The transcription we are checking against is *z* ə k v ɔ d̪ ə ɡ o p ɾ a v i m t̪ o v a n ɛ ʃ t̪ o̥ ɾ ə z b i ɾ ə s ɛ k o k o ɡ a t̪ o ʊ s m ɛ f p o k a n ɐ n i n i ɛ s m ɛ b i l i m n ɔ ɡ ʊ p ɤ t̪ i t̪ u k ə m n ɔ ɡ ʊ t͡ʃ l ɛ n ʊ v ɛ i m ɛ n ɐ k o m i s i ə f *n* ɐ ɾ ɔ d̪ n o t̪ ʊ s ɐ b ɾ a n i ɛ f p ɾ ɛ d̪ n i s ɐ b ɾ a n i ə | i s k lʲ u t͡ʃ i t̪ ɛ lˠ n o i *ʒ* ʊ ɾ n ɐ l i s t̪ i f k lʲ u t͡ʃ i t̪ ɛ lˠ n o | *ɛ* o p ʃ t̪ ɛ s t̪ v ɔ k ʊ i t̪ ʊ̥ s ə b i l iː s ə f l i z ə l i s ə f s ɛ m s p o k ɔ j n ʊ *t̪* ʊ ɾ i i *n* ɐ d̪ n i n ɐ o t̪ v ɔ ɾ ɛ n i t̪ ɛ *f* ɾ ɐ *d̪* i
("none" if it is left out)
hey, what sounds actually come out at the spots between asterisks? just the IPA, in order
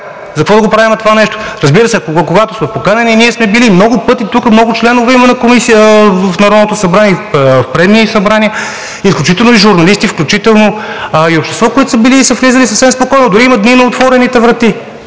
z, n, ʒ, i, d̪, m, v, t̪

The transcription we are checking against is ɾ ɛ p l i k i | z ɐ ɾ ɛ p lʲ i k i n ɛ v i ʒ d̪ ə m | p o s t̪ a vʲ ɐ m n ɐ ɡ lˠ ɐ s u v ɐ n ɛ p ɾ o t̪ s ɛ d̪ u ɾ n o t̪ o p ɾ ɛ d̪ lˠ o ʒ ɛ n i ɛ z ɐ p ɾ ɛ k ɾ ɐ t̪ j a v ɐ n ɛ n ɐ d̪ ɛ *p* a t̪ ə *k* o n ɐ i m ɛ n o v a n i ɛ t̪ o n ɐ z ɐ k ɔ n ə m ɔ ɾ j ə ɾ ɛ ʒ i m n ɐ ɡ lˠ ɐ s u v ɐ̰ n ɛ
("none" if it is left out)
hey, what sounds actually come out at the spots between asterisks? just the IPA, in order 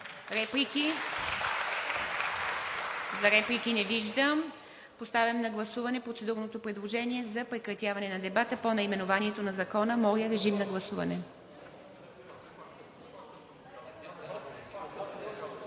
b, p

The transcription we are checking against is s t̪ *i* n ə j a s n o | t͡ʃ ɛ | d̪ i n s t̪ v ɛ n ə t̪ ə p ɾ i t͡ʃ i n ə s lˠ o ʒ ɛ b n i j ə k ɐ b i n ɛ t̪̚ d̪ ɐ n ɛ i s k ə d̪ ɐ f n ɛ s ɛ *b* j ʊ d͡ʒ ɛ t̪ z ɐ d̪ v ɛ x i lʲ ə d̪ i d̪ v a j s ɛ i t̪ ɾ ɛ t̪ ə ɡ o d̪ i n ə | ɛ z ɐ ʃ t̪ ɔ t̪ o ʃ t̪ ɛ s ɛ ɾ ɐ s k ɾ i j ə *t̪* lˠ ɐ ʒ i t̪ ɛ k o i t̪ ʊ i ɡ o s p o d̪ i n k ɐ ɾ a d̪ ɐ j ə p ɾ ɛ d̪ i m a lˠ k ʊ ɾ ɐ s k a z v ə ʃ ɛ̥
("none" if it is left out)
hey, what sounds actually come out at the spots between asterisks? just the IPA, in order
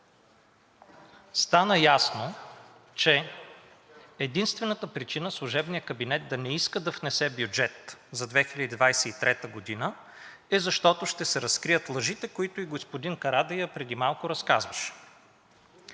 a, b, t̪

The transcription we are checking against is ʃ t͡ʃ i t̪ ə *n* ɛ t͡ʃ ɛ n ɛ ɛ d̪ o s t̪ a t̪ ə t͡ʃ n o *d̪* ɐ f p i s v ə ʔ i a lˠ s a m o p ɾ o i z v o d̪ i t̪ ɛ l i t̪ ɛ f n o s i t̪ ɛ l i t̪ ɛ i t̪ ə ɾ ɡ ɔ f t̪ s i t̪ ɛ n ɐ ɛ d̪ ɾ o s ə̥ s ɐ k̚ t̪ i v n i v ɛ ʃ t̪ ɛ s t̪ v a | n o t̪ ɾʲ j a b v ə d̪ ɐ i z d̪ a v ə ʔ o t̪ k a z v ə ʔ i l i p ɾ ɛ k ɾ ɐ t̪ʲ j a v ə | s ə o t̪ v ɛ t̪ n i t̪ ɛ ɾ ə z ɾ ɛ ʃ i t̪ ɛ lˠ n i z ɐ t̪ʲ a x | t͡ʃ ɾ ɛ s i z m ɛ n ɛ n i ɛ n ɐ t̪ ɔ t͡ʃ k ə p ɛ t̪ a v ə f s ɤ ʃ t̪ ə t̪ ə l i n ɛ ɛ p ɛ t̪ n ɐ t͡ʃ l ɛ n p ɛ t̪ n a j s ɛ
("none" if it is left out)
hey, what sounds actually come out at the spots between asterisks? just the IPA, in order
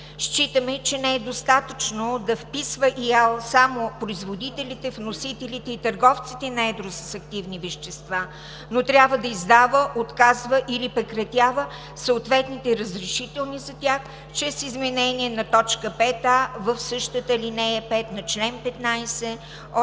m, d̪

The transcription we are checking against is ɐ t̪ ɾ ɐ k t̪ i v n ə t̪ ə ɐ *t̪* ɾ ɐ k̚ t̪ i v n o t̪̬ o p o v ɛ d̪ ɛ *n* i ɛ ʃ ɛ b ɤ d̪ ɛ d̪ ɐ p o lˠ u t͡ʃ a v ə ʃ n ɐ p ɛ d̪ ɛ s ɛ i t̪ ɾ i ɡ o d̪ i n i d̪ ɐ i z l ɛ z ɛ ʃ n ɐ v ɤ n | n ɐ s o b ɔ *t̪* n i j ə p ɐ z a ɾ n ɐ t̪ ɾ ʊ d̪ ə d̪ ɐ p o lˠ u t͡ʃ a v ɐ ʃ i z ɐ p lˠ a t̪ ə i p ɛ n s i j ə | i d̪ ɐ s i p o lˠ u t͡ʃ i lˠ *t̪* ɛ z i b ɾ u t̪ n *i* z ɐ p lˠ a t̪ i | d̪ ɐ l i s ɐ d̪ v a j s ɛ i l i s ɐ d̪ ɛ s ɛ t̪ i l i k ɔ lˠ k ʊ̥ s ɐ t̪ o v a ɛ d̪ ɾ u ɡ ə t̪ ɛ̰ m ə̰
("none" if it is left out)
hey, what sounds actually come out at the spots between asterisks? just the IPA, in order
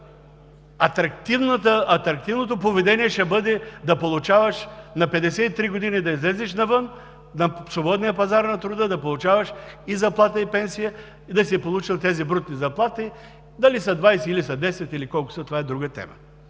t̪, n, d̪, t̪, i

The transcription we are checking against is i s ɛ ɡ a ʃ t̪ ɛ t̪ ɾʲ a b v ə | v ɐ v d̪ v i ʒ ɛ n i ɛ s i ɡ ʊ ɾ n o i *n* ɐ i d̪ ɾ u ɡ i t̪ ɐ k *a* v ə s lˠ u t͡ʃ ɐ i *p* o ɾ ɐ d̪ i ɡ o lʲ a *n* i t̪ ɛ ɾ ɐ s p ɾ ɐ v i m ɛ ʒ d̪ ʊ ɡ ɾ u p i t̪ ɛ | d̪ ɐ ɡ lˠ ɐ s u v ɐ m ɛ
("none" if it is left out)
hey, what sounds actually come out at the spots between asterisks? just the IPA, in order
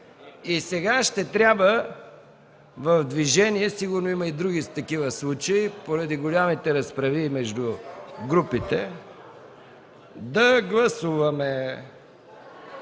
m, i, p, m

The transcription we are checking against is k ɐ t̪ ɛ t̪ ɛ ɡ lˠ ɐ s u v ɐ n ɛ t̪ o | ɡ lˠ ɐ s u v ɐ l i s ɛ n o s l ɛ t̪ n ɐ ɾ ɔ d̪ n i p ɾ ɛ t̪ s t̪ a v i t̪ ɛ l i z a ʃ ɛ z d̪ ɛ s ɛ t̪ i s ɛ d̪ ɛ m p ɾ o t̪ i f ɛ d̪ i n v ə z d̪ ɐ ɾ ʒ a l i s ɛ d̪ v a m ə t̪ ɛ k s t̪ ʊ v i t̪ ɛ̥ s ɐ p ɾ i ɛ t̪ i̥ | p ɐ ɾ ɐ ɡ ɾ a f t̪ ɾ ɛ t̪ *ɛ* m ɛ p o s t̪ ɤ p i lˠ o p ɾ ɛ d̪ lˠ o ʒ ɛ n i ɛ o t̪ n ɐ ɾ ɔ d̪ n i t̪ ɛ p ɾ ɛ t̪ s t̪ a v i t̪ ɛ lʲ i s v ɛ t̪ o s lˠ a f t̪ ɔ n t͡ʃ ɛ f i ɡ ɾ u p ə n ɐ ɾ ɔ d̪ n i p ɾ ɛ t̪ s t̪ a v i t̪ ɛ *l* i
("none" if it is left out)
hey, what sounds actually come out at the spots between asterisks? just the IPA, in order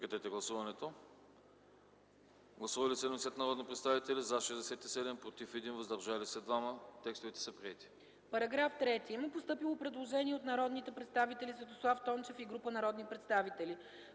i, l

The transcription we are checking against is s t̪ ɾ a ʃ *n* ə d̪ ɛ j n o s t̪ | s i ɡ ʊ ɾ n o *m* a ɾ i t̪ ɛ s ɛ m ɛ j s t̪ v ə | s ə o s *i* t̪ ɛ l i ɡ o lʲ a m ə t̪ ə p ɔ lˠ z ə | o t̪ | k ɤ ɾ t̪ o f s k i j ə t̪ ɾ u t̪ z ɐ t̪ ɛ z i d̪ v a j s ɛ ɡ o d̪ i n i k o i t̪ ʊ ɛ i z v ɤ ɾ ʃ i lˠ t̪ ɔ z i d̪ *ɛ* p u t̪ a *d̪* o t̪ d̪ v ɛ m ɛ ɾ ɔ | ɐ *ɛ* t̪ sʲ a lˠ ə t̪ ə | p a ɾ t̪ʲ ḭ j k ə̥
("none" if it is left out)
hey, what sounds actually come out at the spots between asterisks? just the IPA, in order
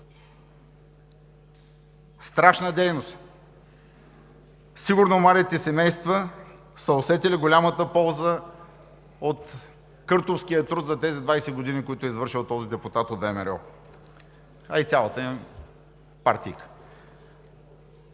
n, m, ɛ, ɛ, t̪, i

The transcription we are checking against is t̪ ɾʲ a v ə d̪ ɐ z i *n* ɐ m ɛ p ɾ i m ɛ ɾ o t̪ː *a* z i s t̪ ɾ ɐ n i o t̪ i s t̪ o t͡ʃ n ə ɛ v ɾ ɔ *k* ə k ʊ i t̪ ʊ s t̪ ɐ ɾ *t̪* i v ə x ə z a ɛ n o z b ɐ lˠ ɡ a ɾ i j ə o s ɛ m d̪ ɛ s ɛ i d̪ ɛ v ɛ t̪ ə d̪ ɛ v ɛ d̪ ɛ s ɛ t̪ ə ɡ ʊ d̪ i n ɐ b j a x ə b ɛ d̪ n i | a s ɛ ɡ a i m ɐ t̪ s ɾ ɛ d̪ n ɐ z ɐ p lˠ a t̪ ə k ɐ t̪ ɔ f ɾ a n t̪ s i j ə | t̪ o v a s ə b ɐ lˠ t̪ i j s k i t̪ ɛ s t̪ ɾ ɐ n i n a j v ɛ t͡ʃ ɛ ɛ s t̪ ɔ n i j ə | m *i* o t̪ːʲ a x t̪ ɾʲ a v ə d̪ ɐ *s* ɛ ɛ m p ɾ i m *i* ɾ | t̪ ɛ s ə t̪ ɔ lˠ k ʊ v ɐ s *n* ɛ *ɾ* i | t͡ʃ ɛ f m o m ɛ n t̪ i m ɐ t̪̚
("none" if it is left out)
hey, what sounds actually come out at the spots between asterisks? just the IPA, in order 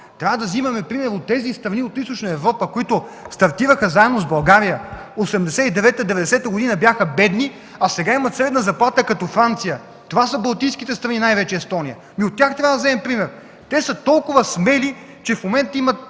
m, ɛ, p, t̪, i, z, ɛ, m, l

